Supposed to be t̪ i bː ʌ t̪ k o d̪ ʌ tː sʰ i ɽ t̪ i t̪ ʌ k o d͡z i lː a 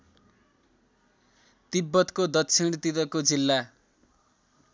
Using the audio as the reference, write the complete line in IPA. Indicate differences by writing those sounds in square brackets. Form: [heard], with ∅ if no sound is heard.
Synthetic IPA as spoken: t̪ i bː ʌ t̪ k o d̪ ʌ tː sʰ i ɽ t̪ i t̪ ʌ k o d͡z i lː a

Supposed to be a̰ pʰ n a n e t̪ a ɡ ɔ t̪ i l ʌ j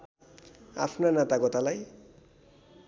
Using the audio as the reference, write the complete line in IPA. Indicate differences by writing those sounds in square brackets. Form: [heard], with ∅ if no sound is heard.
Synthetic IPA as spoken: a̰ pʰ n a n [a] t̪ a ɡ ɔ t̪ [a] l [a] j

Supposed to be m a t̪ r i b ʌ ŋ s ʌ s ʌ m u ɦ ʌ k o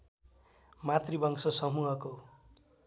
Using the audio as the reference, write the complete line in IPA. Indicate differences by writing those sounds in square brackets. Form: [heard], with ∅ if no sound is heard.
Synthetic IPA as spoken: m a t̪ r i b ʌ ŋ s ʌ s ʌ m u ɦ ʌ k o

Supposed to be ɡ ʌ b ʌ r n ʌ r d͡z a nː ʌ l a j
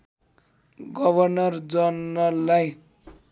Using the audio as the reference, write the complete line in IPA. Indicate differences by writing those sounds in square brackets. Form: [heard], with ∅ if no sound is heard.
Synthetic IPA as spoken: ɡ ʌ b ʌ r n ʌ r d͡z [ʌ] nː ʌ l a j

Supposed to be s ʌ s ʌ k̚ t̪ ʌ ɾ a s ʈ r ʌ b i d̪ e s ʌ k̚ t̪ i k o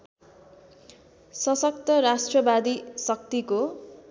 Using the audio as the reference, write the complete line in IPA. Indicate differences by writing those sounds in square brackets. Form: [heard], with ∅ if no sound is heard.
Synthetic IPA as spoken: s ʌ s ʌ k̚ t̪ ʌ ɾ a s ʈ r ʌ b [a] d̪ [i] s ʌ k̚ t̪ i k o

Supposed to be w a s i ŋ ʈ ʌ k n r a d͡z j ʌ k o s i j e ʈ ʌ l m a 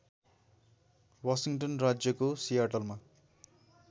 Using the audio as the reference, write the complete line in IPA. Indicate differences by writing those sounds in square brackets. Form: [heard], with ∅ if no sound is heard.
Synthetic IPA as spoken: w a s i ŋ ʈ ʌ [∅] n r a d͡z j ʌ k o s i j [a] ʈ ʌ l m a

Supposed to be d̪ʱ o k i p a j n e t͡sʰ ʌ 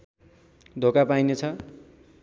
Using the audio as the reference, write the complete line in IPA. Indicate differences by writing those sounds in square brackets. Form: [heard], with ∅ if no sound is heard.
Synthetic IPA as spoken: d̪ʱ o k [a] p a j n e t͡sʰ ʌ

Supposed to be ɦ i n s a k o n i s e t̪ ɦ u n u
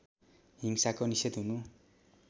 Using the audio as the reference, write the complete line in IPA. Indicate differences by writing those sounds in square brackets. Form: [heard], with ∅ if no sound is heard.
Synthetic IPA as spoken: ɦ i [ŋ] s a k o n i s e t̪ ɦ u n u

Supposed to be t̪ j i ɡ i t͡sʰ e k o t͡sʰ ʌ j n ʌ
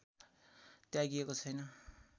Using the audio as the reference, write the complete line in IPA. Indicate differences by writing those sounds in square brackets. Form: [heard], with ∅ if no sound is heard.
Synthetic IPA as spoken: t̪ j [a] ɡ i [∅] e k o t͡sʰ ʌ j n ʌ

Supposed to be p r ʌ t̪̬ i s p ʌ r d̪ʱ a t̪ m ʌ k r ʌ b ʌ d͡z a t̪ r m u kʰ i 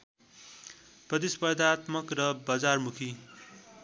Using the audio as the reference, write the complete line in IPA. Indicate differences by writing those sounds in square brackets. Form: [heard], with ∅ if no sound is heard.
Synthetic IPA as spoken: p r ʌ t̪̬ i s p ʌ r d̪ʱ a t̪ m ʌ k r ʌ b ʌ d͡z a [∅] r m u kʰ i

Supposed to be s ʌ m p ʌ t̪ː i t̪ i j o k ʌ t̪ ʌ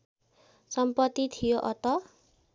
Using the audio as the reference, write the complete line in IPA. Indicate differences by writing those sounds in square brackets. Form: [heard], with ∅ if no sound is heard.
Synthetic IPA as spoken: s ʌ m p ʌ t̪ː i [t̪ʰ] i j o [ʔ] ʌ t̪ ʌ

